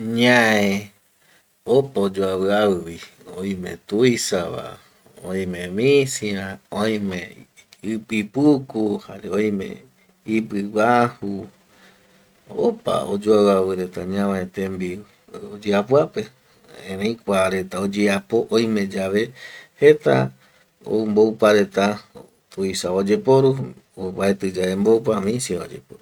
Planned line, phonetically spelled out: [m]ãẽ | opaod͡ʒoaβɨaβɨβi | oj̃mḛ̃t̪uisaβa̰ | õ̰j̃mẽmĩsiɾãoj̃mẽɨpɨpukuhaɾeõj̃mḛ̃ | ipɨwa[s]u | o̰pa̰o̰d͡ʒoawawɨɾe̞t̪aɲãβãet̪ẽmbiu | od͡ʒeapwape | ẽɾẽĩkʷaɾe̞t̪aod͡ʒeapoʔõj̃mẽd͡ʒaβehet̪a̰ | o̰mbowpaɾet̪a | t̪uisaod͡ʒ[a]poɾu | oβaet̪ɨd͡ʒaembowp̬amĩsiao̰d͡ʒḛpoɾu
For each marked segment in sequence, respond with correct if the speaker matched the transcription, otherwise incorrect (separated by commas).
incorrect, incorrect, incorrect